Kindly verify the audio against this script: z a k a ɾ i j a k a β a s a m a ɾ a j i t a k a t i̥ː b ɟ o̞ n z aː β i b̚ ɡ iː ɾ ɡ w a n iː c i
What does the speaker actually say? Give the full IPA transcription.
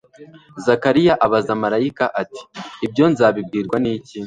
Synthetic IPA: z a k a ɾ i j a ʔ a β a z a m a ɾ a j i k a ʔ a t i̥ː b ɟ o̞ n z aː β i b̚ ɡ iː ɾ ɡ w a n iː c i